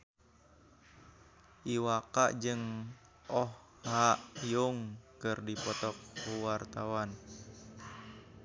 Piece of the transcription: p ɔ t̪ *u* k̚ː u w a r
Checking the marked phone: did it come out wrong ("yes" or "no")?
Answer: yes